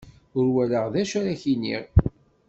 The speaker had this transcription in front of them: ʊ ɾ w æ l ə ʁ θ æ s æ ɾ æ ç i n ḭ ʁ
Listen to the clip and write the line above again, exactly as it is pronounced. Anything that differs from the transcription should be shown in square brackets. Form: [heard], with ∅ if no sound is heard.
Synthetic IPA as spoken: ʊ ɾ w æ l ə ʁ [ð] æ [ʃ] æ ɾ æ ç i n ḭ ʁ